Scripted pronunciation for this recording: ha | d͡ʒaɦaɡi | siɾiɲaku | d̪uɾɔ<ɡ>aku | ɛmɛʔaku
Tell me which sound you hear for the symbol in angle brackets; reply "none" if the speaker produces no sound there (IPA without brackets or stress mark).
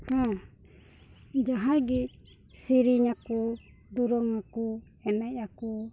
ŋ